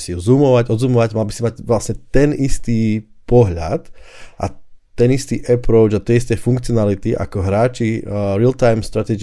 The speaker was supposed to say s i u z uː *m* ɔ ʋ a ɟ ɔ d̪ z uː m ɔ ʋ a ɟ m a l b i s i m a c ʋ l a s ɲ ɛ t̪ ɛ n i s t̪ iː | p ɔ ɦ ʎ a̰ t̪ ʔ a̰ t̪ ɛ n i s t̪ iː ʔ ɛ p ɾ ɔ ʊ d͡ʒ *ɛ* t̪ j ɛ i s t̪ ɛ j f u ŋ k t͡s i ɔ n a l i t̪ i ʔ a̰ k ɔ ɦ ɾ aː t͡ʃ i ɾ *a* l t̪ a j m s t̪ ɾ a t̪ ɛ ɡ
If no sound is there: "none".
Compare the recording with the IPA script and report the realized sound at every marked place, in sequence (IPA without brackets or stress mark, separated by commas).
m, a, i